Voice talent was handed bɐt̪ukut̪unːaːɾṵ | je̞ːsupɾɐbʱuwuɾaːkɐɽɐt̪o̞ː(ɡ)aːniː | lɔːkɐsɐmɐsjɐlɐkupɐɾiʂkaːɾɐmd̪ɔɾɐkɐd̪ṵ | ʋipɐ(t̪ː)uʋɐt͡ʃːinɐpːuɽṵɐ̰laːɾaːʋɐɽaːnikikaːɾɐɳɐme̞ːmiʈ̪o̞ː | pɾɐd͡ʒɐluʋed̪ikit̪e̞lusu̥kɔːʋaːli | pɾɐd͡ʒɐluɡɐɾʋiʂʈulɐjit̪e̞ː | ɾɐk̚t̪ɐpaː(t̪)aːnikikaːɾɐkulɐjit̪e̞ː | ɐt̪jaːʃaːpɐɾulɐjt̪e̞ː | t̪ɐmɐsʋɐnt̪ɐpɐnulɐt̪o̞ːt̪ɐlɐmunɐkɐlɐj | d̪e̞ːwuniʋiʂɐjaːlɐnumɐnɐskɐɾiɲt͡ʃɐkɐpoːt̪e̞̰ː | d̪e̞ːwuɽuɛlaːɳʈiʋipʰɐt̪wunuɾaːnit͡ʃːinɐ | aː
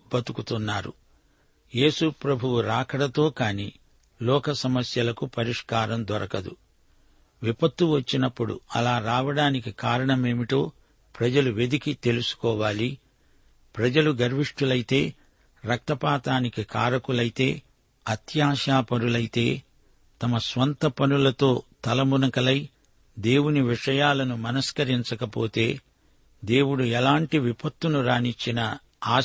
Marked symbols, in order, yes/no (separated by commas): no, yes, yes